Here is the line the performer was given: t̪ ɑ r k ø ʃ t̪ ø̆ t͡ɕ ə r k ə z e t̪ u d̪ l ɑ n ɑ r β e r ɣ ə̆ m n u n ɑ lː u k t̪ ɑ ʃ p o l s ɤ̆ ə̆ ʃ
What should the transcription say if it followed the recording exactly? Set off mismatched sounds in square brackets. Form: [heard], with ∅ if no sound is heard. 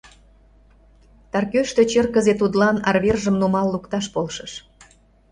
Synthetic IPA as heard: t̪ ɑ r k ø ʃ t̪ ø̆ t͡ɕ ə r k ə z e t̪ u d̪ l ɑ n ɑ r β e r [ʒ] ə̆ m n u [m] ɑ lː u k t̪ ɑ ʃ p o l [ʃ] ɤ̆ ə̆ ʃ